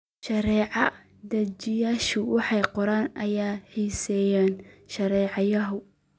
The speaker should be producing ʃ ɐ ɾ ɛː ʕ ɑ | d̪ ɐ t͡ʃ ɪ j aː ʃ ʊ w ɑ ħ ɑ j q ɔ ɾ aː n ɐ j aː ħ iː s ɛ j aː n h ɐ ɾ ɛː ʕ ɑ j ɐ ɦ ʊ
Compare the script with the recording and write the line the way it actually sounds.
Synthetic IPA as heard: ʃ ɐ ɾ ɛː ʕ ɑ | d̪ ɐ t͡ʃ ɪ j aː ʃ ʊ w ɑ ħ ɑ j q ɔ ɾ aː n ɐ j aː ħ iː s ɛ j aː n ʃ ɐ ɾ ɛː ʕ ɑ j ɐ ɦ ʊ